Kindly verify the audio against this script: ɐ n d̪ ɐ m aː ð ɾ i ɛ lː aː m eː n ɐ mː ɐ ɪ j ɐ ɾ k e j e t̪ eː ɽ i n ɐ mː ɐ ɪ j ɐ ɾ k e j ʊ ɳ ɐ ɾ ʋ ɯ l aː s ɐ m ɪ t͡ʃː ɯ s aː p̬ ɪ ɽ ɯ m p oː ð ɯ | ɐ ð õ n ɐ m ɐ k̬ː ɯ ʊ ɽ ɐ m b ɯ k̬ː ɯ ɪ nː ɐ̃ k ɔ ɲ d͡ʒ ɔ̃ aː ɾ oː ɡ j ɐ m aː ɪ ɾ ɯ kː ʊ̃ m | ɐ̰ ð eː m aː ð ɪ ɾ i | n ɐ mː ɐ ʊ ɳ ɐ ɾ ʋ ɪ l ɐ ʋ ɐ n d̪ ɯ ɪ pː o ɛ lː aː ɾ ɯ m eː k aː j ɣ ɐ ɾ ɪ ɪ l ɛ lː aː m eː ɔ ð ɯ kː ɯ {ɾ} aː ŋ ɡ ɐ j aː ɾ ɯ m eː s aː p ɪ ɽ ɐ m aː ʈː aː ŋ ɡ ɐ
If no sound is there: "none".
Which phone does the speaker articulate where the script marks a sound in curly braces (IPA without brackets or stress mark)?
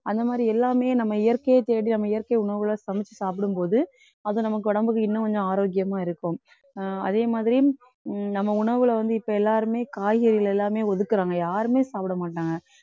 ɾ